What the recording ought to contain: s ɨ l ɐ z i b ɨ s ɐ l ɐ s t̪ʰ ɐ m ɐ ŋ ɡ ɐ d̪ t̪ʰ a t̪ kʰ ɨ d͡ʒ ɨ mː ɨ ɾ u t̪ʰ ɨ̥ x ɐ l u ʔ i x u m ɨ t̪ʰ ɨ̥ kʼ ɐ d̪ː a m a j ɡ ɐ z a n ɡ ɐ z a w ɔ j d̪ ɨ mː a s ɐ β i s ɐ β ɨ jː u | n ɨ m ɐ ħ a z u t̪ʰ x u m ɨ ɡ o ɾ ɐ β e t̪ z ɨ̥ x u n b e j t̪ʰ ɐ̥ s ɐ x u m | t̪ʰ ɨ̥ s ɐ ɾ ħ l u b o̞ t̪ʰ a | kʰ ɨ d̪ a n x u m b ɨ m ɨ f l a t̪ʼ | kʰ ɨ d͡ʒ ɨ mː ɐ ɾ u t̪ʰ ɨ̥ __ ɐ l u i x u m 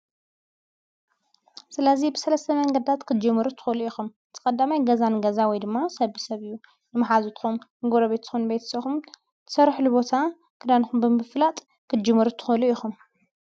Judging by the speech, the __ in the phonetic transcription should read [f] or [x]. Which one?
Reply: x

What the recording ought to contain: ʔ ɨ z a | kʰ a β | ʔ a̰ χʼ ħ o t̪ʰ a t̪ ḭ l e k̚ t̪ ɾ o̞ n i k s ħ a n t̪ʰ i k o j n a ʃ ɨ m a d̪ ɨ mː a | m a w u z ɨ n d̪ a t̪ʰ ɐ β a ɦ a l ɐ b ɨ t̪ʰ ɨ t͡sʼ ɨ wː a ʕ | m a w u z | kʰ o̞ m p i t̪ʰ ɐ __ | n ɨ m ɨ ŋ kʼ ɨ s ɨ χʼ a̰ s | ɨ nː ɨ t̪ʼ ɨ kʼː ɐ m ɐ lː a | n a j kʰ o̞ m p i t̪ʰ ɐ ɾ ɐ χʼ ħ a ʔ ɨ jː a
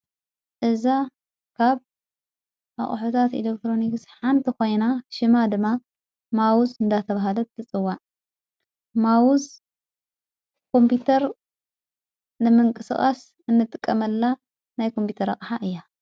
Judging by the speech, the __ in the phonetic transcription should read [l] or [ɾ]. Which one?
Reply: ɾ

